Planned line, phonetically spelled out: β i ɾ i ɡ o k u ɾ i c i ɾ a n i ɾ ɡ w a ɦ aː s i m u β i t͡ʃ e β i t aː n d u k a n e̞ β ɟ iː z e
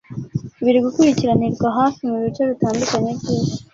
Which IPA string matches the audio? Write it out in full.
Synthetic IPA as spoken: β i ɾ i ɡ u k u ɾ i c i ɾ a n i ɾ ɡ w a ɦ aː f i m u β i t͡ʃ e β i t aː n d u k a ɲ e̞ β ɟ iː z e